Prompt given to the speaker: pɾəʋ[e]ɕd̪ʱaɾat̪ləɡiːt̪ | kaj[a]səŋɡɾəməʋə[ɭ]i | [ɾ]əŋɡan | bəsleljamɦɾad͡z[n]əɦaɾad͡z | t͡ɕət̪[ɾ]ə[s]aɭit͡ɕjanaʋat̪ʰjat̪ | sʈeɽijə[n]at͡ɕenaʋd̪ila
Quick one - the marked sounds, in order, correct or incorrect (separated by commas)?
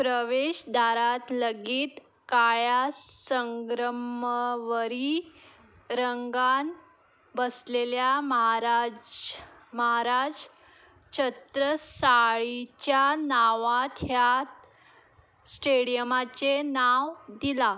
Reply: correct, correct, incorrect, correct, incorrect, correct, correct, incorrect